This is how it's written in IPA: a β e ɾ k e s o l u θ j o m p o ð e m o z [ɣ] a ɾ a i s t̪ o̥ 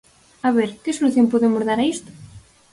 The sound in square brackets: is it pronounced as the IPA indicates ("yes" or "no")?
no